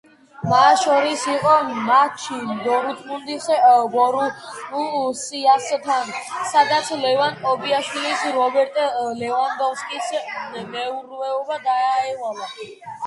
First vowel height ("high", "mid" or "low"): low